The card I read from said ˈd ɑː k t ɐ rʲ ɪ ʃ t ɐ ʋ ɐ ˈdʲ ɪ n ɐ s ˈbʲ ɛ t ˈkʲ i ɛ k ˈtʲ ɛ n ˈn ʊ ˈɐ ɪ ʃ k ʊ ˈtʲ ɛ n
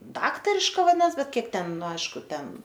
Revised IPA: ˈd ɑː k t ɐ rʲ ɪ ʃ k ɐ ʋ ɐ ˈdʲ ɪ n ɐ s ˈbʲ ɛ t ˈkʲ i ɛ k ˈtʲ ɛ n ˈn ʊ ˈɐ ɪ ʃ k ʊ ˈtʲ ɛ n